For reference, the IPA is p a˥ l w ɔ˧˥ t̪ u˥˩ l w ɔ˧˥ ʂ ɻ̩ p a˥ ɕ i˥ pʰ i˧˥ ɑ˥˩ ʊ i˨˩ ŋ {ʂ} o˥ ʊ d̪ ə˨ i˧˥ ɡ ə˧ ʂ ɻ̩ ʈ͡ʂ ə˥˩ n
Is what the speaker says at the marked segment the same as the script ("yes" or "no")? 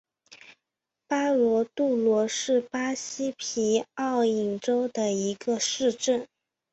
no